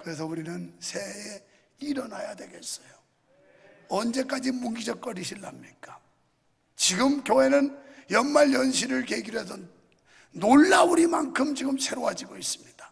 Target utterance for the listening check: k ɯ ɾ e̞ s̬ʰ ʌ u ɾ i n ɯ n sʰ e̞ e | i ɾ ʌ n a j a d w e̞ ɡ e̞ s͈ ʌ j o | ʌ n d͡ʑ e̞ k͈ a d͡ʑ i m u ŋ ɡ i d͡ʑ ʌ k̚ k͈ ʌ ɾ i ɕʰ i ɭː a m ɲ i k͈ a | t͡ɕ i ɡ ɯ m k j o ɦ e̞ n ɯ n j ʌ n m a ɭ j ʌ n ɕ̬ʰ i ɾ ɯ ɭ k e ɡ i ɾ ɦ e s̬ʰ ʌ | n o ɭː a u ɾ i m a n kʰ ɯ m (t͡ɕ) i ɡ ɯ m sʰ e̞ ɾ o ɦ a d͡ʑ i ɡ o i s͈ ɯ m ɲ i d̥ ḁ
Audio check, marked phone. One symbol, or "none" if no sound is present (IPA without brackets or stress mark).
t͡ɕ